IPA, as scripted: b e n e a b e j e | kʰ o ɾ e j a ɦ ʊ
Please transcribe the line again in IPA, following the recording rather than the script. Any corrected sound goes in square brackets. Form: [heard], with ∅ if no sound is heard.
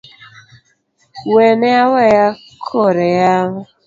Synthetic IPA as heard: [w] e n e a [w] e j [a] | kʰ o ɾ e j a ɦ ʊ